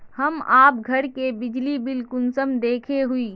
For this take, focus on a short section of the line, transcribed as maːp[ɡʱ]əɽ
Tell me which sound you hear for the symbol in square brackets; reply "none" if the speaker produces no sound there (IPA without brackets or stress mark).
ɡʱ